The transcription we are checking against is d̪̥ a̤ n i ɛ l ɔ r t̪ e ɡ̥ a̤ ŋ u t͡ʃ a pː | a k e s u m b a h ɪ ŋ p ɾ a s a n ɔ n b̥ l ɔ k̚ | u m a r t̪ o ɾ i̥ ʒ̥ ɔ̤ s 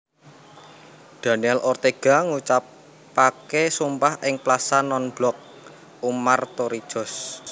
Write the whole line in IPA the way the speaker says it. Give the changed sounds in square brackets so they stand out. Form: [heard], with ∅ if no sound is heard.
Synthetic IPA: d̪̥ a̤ n i ɛ l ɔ r t̪ e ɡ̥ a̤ ŋ u t͡ʃ a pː | a k e s u m [p] a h ɪ ŋ p [l] a s a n ɔ n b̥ l ɔ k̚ | u m a r t̪ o ɾ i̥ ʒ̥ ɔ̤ s